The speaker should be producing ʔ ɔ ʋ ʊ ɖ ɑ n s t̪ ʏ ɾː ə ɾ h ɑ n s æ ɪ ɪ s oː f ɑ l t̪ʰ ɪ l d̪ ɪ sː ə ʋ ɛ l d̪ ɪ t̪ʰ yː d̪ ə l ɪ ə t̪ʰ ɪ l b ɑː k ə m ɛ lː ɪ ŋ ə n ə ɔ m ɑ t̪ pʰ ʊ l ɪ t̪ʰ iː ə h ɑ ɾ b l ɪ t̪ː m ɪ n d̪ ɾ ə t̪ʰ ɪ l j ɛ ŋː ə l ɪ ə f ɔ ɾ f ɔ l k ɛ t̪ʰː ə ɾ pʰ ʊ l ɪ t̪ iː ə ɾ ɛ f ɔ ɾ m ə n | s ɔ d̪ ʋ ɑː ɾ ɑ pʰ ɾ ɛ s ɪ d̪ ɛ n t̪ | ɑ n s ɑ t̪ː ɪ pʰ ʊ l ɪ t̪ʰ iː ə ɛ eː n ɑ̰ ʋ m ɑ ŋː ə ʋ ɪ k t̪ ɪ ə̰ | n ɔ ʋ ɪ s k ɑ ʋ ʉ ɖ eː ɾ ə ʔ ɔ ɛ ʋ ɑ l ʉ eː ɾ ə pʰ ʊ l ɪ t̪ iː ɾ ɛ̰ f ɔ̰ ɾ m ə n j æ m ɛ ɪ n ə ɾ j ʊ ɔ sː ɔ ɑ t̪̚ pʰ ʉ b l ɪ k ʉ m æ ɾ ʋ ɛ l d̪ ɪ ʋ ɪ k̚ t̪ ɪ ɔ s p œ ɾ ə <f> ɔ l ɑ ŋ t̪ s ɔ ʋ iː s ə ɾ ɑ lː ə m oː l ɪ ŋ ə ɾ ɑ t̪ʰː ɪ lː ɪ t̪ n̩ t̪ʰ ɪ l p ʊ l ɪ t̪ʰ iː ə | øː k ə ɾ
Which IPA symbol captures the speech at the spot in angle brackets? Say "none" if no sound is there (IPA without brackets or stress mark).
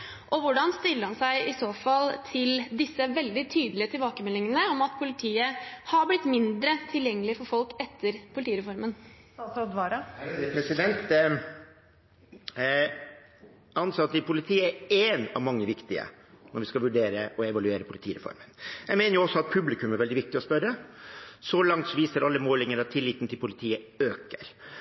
s